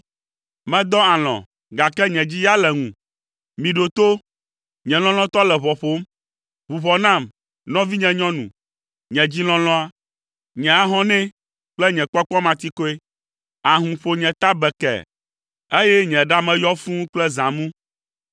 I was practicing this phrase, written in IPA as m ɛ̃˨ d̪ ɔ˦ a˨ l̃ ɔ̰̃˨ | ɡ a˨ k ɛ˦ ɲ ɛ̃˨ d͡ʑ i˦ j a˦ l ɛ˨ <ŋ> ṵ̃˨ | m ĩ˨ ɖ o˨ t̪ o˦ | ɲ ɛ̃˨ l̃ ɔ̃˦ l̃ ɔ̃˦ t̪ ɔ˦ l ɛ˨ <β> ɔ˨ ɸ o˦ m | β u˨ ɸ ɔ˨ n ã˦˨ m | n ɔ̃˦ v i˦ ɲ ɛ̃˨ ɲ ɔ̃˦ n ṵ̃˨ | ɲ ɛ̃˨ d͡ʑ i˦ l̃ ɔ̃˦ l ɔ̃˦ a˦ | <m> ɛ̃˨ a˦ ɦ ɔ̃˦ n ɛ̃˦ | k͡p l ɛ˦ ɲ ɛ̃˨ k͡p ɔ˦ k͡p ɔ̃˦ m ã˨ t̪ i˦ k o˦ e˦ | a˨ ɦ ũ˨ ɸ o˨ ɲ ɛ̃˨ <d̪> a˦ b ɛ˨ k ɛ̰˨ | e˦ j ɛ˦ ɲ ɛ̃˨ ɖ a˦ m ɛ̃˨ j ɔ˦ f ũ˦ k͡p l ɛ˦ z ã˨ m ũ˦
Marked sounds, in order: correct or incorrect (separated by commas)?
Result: correct, correct, incorrect, incorrect